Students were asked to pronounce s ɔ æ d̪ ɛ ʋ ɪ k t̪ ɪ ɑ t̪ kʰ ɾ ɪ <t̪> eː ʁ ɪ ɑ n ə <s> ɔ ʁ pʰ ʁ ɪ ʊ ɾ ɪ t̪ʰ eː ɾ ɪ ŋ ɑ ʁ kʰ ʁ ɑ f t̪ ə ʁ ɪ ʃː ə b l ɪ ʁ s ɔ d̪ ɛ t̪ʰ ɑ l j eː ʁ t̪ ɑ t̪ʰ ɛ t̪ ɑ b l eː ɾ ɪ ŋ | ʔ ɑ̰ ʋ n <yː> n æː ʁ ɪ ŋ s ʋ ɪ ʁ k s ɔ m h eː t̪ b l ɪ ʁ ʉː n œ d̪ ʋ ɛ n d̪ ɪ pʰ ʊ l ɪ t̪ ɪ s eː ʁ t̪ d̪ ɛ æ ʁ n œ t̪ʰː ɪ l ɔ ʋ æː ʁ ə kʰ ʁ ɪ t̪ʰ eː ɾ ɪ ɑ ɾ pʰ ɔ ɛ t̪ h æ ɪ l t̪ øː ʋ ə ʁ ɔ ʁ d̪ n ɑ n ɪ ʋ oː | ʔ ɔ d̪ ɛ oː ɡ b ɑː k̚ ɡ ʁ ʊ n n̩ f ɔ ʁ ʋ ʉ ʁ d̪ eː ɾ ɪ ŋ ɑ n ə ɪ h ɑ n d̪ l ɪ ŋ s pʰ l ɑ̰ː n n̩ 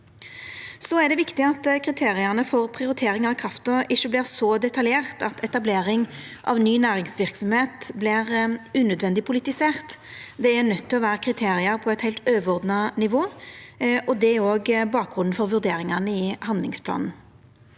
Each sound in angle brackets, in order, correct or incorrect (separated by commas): incorrect, incorrect, correct